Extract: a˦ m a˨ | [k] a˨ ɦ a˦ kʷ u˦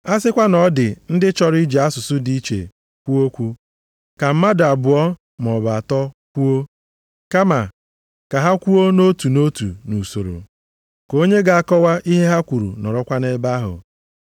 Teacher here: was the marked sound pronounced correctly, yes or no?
yes